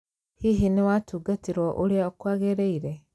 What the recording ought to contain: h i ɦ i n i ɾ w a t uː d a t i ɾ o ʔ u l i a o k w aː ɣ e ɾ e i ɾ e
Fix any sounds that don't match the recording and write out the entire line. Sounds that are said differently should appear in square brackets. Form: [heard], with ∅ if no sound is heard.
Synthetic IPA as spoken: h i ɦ i n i [∅] w a t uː [ɡ] a t i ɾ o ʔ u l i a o k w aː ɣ e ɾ e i ɾ e